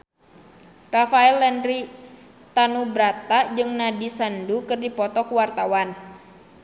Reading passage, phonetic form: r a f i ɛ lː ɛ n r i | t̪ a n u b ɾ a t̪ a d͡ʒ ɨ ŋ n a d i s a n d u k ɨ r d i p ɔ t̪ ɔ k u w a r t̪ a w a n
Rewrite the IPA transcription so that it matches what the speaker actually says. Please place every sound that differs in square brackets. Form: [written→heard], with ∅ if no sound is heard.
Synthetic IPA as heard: r a f [i→a] ɛ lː ɛ n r i | t̪ a n u b ɾ a t̪ a d͡ʒ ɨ ŋ n a d i s a n d u k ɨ r d i p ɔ t̪ ɔ k u w a r t̪ a w a n